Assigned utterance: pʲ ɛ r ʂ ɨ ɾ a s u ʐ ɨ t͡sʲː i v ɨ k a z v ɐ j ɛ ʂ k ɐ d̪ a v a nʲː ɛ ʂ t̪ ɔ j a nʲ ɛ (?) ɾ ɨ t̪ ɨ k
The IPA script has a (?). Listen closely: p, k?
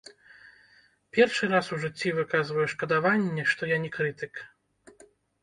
k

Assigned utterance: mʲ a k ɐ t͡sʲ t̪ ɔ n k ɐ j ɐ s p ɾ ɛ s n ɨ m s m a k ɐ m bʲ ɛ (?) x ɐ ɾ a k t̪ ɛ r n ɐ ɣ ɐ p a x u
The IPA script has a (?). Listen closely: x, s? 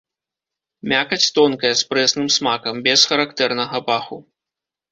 s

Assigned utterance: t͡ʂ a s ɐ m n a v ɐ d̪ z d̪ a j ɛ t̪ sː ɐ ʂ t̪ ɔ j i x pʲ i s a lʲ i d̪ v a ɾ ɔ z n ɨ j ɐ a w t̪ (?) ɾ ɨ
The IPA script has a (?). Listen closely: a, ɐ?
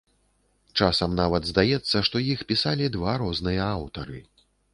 ɐ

